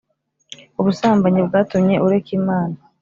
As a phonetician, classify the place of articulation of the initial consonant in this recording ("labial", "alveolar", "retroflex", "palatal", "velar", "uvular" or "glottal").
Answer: labial